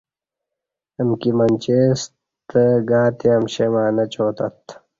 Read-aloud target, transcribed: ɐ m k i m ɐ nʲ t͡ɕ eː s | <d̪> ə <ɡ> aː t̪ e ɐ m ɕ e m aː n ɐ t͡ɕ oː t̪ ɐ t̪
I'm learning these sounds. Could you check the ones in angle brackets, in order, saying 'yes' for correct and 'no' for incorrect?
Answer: no, yes

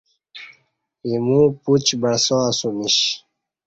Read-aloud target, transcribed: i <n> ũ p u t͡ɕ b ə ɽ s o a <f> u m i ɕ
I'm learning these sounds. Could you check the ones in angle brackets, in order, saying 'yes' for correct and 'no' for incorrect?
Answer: no, no

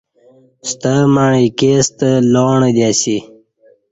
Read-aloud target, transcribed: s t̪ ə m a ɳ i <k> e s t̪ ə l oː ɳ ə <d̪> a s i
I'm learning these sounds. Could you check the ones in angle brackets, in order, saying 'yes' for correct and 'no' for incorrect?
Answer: yes, yes

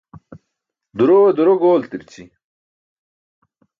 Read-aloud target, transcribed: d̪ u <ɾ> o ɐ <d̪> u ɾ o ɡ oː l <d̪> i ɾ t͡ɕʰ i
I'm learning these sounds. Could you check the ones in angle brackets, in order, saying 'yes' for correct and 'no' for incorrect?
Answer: yes, yes, no

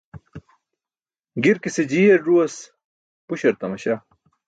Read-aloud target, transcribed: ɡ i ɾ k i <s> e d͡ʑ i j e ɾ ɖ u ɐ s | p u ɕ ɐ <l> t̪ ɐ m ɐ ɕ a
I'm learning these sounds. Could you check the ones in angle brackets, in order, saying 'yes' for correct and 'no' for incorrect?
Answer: yes, no

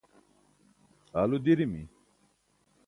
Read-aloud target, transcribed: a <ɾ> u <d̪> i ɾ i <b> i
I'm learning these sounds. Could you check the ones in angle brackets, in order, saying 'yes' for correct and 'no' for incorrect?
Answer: no, yes, no

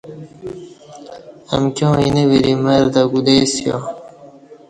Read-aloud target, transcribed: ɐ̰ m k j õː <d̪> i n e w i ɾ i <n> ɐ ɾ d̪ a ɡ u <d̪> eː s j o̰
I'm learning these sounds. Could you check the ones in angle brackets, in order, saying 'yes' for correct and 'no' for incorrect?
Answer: no, no, yes

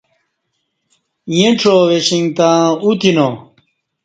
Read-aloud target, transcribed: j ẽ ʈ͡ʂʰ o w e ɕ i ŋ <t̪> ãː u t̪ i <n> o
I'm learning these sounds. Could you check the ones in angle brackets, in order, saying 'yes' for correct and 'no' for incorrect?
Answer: yes, yes

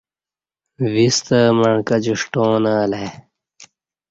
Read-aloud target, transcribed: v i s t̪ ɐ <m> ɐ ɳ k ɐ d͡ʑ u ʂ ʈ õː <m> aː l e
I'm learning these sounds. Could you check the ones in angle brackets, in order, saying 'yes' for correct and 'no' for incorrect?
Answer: yes, no

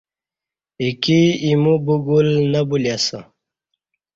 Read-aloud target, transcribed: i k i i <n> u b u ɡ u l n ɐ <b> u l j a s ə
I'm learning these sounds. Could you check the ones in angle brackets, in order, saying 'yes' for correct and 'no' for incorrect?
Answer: no, yes

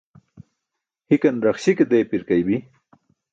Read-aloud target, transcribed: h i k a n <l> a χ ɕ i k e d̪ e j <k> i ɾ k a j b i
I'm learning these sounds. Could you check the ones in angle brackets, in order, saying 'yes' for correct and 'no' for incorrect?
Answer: no, no

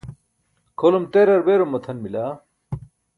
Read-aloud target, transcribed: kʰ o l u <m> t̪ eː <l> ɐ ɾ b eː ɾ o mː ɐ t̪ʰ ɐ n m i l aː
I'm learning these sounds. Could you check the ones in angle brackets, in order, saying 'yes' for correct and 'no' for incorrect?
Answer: yes, no

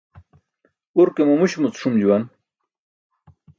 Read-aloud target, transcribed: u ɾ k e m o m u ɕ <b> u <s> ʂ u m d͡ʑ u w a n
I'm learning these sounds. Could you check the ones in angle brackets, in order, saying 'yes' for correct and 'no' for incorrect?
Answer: no, no

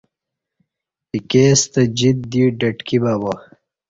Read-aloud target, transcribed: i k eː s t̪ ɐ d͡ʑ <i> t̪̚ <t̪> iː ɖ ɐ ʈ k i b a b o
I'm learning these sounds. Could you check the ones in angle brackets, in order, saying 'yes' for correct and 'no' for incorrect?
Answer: yes, no

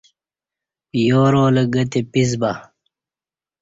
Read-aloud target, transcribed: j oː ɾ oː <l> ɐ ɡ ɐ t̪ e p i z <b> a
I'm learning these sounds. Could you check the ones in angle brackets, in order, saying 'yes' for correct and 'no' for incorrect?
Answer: yes, yes

